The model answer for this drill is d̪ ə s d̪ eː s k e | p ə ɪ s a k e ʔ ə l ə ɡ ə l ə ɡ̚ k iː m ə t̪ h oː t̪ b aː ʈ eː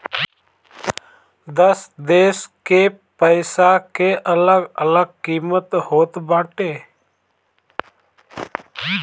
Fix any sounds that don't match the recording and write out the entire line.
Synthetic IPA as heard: d̪ ə s d̪ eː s k e | p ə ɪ s a k e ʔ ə l ə ɡ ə l ə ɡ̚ k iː m ə t̪ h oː t̪ b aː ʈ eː